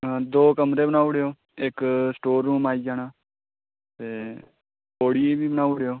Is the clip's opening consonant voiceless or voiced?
voiced